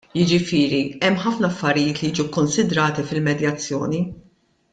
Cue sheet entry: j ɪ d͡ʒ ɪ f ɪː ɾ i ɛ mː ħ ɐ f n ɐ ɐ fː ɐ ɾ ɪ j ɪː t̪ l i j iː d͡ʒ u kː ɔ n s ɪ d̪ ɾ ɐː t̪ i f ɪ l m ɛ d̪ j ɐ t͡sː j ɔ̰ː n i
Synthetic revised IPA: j ɪ d͡ʒ ɪ f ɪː ɾ i ɛ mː ħ ɐ f n ɐ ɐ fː ɐ ɾ ɪ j ɪː t̪ l i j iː d͡ʒ u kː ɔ n s ɪ d̪ ɾ ɐː t̪ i f ɪ l m ɛ d̪ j ɐ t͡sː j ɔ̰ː n i

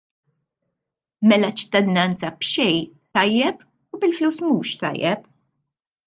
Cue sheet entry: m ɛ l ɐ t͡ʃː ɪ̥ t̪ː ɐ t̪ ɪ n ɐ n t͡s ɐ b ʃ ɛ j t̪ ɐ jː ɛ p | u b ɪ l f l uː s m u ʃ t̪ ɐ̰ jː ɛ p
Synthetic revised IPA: m ɛ l ɐ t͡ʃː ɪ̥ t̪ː ɐ d̪ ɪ n ɐ n t͡s ɐ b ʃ ɛ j t̪ ɐ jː ɛ p | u b ɪ l f l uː s m uː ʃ t̪ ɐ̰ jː ɛ p

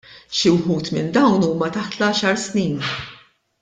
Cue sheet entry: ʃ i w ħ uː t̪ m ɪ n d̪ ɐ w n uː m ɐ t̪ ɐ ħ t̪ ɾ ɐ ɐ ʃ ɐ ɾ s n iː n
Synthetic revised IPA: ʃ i w ħ uː t̪ m ɪ n d̪ ɐ w n uː m ɐ t̪ ɐ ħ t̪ l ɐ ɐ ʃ ɐ ɾ s n iː n

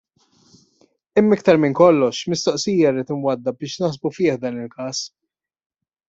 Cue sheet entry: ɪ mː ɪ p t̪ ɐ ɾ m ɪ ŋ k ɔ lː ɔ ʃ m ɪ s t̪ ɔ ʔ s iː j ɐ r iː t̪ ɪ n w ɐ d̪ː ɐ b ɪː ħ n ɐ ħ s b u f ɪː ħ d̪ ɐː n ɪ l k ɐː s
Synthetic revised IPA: ɪ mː ɪ k t̪ ɐ ɾ m ɪ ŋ k ɔ lː ɔ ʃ m ɪ s t̪ ɔ ʔ s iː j ɐ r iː t̪ ɪ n w ɐ d̪ː ɐ b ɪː ʃ n ɐ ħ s b u f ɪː ħ d̪ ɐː n ɪ l k ɐː s

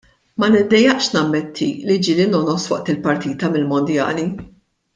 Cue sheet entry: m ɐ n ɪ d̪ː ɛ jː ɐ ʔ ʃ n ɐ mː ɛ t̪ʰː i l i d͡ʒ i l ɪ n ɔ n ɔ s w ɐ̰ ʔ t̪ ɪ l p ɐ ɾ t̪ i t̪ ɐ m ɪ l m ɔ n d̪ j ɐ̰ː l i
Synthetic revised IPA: m ɐ n ɪ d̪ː ɛ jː ɐ ʔ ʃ n ɐ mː ɛ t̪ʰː i l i d͡ʒ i l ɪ n ɔ n ɔ s w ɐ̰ ʔ t̪ ɪ l p ɐ ɾ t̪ iː t̪ ɐ m ɪ l m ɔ n d̪ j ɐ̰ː l i

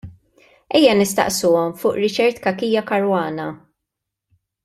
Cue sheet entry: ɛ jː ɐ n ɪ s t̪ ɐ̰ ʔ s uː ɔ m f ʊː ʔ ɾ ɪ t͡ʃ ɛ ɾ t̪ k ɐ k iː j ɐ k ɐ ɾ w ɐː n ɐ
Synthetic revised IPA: ɛ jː ɐ n ɪ s t̪ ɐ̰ ʔ s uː ɔ m f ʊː ʔ ɾ ɪ t͡ʃ ɛ ɾ t̪ k ɐ k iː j ɐ k ɐ ɾ w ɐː n ɐ

